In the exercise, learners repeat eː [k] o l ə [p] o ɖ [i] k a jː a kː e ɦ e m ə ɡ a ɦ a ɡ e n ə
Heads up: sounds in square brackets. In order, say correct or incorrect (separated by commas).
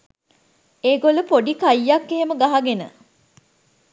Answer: incorrect, correct, correct